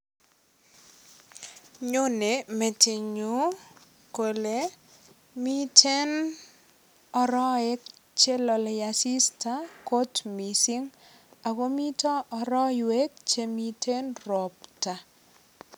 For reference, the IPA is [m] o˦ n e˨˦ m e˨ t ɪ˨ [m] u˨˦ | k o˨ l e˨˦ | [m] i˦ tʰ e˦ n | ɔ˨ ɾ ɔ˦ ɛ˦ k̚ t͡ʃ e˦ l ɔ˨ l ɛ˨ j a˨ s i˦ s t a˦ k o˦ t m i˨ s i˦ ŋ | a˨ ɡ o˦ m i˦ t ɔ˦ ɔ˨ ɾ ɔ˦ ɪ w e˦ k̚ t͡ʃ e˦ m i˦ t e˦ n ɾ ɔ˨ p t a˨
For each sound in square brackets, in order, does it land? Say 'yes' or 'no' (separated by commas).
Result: no, no, yes